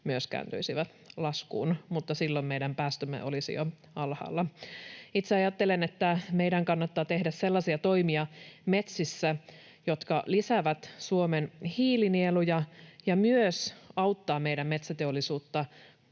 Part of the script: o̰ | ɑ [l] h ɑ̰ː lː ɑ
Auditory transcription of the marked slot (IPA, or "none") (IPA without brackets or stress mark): l